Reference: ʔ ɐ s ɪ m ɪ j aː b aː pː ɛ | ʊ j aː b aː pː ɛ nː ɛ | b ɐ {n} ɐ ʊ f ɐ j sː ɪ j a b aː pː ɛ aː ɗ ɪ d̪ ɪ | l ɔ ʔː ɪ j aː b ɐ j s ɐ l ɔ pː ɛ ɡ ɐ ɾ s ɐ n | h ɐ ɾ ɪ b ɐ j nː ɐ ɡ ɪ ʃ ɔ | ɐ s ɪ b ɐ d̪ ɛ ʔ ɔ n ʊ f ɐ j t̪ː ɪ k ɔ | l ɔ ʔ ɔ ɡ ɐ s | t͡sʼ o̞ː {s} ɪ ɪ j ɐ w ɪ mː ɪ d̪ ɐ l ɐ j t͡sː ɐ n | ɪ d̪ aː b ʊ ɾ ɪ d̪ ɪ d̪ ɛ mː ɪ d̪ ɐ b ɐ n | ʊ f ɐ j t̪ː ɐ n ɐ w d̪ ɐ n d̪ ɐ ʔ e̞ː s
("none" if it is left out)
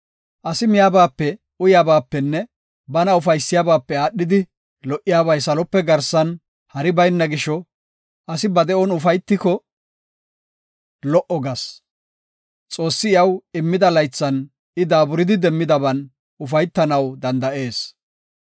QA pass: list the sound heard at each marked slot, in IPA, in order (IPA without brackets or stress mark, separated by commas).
n, sː